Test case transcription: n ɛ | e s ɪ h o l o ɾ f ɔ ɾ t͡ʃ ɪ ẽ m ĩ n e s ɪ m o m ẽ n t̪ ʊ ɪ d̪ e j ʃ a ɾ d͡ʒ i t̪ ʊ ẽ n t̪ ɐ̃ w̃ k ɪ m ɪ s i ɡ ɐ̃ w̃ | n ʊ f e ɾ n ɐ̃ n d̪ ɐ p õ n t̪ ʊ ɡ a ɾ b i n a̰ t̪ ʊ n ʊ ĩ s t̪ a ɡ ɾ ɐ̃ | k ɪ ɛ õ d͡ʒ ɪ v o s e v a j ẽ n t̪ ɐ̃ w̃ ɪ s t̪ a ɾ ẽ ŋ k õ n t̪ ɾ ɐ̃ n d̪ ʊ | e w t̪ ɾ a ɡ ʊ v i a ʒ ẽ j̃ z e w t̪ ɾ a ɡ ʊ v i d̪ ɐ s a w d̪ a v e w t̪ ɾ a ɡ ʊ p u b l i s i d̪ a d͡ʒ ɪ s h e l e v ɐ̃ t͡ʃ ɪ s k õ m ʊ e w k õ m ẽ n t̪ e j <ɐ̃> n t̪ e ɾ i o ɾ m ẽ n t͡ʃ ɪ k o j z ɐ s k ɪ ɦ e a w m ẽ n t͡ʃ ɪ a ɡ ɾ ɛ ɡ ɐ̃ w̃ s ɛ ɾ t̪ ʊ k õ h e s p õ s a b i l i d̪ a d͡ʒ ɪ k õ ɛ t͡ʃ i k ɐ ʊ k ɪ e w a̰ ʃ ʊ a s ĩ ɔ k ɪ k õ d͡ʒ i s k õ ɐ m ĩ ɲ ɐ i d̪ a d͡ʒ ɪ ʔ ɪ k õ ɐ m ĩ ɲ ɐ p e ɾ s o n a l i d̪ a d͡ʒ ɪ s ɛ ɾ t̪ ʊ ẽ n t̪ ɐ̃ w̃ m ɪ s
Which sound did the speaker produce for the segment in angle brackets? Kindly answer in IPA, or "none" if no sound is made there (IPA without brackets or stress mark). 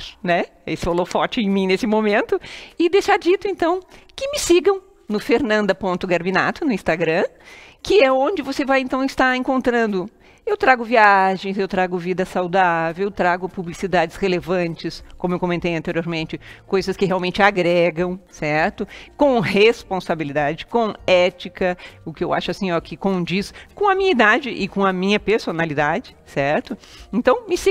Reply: ɐ̃